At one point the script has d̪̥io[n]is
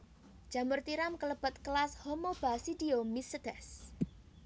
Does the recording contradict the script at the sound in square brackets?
yes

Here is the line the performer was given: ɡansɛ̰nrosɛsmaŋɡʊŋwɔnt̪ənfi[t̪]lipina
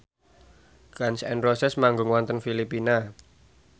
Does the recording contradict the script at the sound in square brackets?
yes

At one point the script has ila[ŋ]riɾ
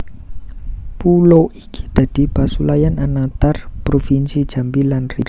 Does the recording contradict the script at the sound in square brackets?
yes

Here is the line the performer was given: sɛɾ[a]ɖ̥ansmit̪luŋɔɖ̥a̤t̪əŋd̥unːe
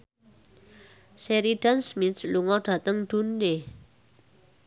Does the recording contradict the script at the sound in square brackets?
yes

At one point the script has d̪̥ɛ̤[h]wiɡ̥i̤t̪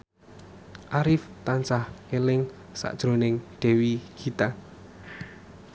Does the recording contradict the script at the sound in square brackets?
yes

